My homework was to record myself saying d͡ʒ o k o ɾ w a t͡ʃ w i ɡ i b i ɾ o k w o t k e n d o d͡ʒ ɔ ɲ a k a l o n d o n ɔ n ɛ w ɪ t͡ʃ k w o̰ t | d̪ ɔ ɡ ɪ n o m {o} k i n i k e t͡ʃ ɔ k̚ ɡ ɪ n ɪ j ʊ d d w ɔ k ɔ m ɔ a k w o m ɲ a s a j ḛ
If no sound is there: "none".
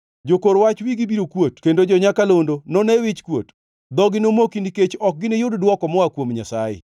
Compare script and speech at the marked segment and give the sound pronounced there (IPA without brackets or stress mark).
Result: o